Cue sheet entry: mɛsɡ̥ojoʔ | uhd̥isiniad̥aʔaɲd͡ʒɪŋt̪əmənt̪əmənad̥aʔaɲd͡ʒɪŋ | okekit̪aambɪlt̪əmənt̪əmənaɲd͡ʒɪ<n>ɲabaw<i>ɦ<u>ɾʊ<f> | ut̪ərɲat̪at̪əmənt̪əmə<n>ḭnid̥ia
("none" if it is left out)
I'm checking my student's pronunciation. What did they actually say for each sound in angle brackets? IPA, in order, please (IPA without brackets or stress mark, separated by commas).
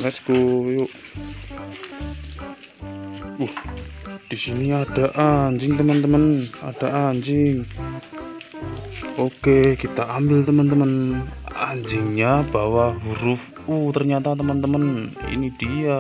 ŋ, a, u, f, n